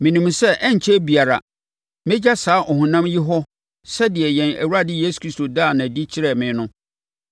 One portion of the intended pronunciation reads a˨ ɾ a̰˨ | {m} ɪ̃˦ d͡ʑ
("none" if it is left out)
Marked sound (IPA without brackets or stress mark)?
m